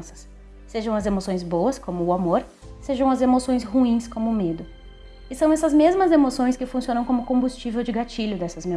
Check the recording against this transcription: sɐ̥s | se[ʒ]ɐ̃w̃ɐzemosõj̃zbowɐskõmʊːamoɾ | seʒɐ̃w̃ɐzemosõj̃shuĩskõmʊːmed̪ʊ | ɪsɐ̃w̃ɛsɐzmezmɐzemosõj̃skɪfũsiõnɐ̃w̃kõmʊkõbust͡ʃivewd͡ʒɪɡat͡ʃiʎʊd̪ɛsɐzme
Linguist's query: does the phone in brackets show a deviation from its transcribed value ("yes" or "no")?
no